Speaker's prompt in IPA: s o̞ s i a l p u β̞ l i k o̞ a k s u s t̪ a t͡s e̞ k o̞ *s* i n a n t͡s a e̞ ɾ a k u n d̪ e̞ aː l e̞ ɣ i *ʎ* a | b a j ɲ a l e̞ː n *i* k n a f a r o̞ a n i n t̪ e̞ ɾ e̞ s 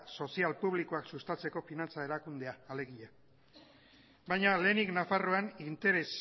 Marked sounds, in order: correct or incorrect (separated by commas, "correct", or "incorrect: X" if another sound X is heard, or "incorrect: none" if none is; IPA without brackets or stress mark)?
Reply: incorrect: f, correct, correct